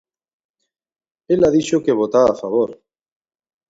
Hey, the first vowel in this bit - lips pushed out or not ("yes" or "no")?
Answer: no